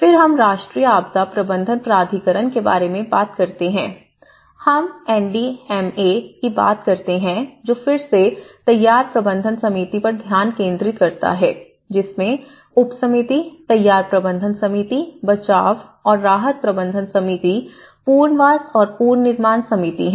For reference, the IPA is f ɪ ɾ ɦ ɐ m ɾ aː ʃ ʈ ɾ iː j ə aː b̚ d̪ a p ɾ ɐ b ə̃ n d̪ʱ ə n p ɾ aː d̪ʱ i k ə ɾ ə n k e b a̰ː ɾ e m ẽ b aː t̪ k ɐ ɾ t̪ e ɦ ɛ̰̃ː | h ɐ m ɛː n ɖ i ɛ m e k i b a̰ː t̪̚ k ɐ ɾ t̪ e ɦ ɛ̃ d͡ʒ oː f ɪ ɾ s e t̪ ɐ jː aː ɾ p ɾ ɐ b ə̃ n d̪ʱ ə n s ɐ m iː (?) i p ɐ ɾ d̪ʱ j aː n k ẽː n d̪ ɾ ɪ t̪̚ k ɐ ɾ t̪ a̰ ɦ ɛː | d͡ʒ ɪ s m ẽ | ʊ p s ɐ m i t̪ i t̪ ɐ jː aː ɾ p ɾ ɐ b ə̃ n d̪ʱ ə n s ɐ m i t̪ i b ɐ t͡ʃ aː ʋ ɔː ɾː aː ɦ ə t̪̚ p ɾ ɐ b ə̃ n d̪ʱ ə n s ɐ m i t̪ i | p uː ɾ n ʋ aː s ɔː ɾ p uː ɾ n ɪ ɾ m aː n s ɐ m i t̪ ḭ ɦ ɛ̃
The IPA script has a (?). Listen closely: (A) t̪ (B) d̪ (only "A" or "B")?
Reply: A